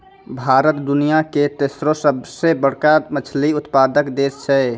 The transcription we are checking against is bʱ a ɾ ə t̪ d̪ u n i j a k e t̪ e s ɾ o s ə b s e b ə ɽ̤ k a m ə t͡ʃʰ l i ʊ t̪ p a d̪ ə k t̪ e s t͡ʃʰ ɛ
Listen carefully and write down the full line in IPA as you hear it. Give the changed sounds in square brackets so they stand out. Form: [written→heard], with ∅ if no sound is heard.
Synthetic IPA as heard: bʱ a ɾ ə t̪ d̪ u n i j a k e t̪ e s ɾ o s ə b s e b ə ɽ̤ k a m ə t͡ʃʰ l i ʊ t̪ p a d̪ ə k [t̪→d̪] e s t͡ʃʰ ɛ